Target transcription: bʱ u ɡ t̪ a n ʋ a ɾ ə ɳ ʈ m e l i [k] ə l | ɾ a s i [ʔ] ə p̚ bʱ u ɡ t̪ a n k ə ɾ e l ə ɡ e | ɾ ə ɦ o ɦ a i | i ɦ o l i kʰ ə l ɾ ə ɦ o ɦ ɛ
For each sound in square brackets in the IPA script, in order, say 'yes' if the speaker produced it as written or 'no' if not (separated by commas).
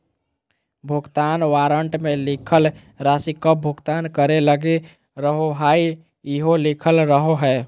no, no